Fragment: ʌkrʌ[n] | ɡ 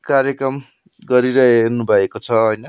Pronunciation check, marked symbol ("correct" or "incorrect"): incorrect